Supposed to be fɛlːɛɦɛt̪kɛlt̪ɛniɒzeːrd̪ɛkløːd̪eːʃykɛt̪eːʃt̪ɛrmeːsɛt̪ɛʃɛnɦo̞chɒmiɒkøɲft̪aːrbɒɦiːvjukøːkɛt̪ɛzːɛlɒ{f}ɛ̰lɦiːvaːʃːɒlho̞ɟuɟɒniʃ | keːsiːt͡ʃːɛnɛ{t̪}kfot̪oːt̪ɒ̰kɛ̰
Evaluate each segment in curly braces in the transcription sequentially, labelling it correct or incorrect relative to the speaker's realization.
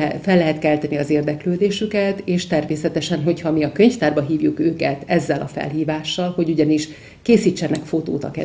correct, incorrect: none

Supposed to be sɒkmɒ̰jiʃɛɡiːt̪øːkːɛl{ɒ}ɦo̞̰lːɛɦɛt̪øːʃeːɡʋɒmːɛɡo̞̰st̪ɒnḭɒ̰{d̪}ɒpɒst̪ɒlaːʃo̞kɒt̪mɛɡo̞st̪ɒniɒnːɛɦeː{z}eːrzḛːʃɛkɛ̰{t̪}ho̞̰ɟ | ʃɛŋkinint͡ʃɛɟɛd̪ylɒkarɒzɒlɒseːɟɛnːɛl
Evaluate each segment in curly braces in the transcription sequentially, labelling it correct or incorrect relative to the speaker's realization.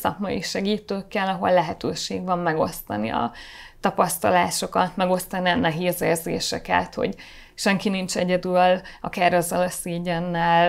correct, incorrect: t̪, correct, correct

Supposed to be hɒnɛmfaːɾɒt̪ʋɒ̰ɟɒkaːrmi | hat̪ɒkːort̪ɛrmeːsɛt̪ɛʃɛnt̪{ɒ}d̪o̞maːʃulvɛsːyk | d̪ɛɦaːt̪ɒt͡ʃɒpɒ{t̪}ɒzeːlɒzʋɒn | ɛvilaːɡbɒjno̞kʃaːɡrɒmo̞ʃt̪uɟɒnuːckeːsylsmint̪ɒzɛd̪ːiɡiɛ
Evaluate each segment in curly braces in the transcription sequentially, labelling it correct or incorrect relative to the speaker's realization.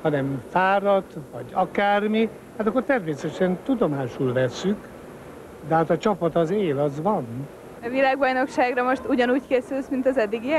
incorrect: u, correct

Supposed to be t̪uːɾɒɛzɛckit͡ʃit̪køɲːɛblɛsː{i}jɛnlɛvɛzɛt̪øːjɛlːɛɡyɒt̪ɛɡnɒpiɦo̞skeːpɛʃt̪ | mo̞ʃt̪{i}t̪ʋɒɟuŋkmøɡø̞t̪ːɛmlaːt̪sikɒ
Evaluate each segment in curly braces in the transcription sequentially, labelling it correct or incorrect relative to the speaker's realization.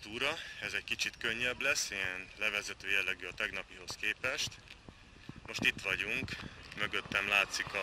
correct, correct

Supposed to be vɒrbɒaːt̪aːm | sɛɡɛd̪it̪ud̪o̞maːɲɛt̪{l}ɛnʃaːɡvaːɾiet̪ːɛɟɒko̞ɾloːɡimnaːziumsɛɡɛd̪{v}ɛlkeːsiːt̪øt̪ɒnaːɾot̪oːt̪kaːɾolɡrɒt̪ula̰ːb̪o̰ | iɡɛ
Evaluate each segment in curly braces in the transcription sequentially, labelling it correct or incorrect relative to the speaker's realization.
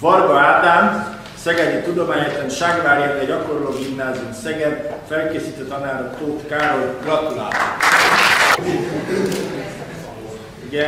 correct, incorrect: f

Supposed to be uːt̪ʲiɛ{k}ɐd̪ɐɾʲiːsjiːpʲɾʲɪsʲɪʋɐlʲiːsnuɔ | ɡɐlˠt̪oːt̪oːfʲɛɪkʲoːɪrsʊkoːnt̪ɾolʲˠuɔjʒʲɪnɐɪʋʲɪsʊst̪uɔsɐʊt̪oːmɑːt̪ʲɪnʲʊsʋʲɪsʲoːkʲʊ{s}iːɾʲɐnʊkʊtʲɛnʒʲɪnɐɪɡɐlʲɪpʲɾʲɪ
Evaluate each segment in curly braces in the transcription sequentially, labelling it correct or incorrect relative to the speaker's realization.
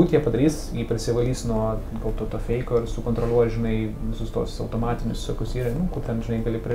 incorrect: p, correct

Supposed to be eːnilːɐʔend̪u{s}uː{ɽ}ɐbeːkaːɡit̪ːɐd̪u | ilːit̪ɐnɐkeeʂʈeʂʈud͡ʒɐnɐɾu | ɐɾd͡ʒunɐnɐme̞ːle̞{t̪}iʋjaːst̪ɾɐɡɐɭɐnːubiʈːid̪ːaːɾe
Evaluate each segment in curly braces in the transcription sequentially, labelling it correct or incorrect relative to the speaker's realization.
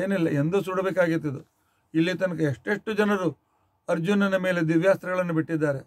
correct, correct, incorrect: d̪

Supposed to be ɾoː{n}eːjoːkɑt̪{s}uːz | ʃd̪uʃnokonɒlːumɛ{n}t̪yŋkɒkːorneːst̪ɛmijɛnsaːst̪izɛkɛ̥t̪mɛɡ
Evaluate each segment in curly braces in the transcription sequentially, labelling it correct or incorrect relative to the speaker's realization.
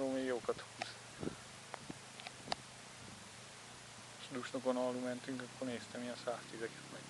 incorrect: m, incorrect: h, correct

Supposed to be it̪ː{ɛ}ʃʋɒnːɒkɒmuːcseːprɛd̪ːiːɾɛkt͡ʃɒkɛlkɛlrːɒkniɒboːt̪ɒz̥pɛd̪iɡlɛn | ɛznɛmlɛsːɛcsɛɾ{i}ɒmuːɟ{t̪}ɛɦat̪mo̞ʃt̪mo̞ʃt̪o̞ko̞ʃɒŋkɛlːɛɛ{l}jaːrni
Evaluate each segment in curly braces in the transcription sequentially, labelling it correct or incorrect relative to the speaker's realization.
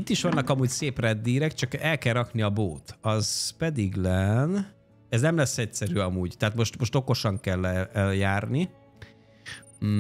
incorrect: i, incorrect: y, correct, correct

